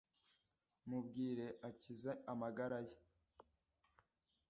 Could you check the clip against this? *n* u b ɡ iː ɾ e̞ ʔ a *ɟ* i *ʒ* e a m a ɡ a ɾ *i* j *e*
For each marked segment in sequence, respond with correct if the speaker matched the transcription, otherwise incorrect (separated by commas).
incorrect, incorrect, incorrect, incorrect, correct